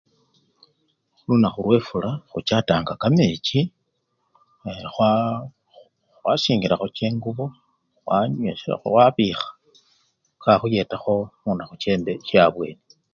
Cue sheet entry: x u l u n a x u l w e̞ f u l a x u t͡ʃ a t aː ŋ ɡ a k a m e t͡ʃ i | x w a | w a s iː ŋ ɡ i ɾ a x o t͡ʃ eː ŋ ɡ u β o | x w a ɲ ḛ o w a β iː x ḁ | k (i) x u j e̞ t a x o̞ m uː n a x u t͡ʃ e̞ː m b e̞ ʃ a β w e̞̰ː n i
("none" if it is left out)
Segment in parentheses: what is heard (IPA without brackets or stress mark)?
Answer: a